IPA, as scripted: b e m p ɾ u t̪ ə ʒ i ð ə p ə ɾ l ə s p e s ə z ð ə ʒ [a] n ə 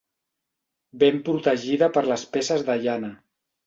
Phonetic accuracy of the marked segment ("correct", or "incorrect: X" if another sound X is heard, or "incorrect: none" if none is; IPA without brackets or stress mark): correct